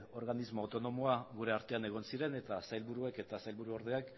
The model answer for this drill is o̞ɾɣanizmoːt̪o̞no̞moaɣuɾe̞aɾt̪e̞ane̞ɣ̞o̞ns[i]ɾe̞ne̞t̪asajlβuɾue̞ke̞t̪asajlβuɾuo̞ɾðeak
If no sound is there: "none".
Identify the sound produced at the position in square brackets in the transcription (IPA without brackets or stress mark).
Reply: i